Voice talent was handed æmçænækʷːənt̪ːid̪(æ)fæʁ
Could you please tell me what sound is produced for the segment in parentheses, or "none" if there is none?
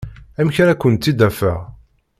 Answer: æ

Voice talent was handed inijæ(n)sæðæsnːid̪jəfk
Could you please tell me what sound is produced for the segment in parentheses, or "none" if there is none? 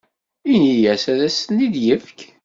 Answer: none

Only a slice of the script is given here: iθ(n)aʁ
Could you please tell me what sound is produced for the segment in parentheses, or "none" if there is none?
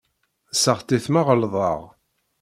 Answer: m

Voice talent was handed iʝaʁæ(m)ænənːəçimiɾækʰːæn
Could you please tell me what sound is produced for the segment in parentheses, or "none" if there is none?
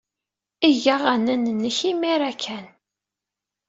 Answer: n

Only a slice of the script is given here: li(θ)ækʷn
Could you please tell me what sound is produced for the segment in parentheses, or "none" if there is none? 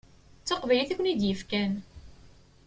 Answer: θ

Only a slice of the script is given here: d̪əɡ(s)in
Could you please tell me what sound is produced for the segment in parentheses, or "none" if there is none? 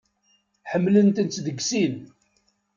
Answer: s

